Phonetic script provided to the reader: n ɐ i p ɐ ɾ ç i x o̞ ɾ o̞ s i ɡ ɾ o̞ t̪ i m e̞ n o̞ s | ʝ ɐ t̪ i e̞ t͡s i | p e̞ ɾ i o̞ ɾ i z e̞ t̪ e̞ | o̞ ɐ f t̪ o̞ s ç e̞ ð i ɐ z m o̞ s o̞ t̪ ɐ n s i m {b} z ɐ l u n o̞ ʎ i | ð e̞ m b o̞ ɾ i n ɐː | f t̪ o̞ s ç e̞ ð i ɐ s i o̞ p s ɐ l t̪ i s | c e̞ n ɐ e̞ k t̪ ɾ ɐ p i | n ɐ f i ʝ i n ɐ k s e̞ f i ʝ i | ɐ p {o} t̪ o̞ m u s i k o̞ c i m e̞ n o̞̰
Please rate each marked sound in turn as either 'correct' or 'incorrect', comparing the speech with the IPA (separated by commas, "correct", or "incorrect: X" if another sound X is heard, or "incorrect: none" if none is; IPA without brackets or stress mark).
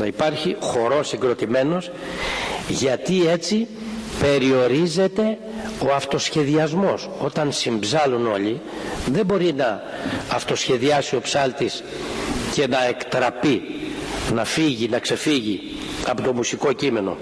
correct, correct